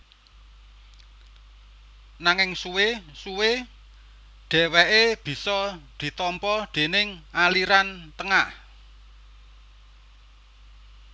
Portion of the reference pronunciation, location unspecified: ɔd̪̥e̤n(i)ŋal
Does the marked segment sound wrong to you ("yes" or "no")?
yes